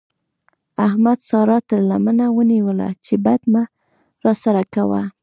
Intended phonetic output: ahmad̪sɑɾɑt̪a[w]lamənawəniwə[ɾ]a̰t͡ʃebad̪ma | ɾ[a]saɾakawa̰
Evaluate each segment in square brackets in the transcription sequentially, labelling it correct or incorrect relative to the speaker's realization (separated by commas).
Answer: incorrect, incorrect, incorrect